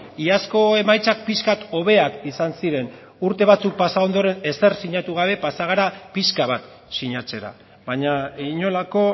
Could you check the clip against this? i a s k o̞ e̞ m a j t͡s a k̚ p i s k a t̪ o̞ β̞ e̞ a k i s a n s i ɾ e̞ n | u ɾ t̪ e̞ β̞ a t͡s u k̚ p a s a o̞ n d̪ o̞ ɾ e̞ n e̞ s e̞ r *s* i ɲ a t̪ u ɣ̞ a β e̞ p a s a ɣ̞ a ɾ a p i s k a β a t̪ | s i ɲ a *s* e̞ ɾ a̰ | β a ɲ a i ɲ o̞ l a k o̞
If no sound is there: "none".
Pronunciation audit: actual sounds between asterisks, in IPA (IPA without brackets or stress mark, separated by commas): s, t͡s